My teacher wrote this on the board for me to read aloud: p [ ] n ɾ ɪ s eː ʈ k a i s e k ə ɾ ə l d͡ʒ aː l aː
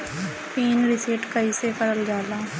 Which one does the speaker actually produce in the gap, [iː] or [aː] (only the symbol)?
iː